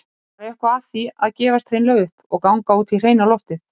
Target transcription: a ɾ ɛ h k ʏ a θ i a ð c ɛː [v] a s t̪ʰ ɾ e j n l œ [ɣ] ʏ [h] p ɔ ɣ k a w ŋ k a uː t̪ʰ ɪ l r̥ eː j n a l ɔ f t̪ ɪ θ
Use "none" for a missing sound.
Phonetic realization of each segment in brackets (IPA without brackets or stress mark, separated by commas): v, ɣ, h